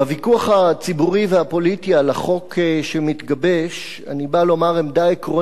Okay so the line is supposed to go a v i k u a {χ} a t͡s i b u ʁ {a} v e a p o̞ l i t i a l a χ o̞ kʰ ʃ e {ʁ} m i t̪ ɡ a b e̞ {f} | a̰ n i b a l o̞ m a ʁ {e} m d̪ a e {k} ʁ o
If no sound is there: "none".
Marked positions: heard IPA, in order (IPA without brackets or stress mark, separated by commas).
χ, i, none, ʃ, e, k